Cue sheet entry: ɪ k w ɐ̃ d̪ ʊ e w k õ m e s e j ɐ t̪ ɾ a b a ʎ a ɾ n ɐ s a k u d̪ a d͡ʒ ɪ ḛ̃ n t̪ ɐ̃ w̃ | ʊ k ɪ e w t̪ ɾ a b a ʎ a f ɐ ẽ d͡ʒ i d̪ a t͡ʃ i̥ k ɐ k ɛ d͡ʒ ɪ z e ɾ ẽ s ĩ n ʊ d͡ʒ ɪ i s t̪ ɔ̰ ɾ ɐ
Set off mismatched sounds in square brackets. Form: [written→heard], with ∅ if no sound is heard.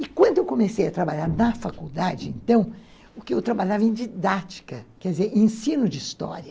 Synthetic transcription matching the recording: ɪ k w ɐ̃ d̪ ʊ e w k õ m e s e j ɐ t̪ ɾ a b a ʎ a ɾ n ɐ [s→f] a k u d̪ a d͡ʒ ɪ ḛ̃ n t̪ ɐ̃ w̃ | ʊ k ɪ e w t̪ ɾ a b a ʎ a [f→v] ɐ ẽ d͡ʒ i d̪ a t͡ʃ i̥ k ɐ k ɛ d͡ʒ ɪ z e ɾ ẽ s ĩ n ʊ d͡ʒ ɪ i s t̪ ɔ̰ ɾ ɐ